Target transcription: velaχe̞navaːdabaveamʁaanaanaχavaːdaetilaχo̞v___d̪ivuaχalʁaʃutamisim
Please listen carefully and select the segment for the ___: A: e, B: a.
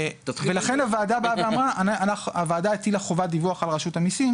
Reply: B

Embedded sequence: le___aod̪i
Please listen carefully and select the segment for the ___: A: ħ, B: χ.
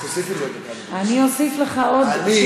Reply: B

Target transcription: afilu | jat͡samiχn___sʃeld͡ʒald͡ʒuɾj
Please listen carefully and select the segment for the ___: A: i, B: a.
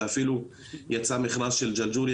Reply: B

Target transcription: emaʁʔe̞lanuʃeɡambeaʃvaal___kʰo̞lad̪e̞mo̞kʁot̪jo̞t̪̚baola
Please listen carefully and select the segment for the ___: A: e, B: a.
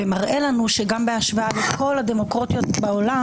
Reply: A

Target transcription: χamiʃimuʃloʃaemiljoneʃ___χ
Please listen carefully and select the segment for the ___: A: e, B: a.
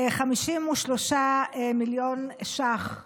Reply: B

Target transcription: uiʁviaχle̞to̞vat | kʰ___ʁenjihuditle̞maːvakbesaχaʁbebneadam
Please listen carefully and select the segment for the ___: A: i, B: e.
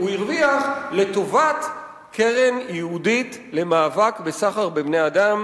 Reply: B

